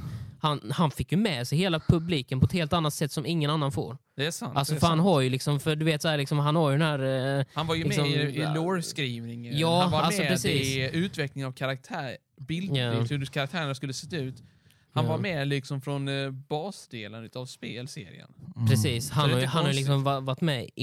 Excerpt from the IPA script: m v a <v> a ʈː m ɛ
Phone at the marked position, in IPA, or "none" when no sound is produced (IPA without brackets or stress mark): v